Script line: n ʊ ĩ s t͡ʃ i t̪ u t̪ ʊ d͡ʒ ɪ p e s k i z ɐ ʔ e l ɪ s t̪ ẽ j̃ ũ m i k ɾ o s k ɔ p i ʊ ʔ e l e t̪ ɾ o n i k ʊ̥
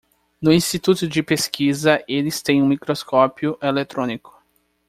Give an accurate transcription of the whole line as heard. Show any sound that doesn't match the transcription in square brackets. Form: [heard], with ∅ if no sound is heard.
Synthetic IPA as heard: n ʊ ĩ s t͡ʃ i t̪ u t̪ ʊ d͡ʒ ɪ p e s k i z ɐ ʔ e l ɪ s t̪ ẽ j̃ ũ m i k ɾ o s k ɔ p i ʊ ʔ e l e t̪ ɾ [õ] n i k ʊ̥